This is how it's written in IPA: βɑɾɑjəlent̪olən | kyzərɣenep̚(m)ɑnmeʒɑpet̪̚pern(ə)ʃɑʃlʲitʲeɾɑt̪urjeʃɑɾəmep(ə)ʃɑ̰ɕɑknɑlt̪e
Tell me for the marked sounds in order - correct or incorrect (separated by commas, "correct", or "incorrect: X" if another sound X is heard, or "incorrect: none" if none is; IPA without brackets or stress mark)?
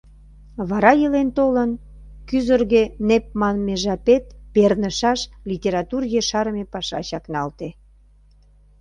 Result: correct, correct, incorrect: ɑ